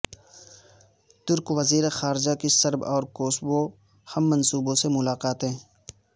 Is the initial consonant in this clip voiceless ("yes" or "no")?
yes